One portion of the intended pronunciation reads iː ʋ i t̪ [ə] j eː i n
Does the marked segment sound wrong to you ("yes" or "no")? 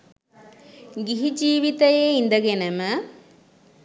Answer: yes